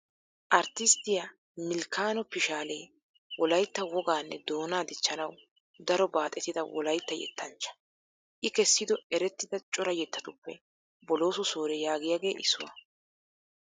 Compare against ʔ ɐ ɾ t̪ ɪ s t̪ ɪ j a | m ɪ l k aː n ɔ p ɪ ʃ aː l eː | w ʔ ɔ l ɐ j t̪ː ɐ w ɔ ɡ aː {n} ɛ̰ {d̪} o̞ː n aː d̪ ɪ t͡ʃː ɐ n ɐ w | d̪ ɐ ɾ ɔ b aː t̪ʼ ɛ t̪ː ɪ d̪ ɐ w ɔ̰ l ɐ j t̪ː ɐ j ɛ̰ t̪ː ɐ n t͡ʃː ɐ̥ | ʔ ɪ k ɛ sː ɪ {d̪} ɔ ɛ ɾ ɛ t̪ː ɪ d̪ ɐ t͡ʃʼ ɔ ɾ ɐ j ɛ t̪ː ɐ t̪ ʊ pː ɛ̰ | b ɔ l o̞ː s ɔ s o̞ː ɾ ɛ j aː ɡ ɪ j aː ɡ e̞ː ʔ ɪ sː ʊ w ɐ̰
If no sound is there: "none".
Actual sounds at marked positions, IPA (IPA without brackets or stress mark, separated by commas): nː, d̪, d̪